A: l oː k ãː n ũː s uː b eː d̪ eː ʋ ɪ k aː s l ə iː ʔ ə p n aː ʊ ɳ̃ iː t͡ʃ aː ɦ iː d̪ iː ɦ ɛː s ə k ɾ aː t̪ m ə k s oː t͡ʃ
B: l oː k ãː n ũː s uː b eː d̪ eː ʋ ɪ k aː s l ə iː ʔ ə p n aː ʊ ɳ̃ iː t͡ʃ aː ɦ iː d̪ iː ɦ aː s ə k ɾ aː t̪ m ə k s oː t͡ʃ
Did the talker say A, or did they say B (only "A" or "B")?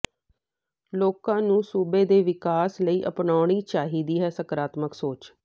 A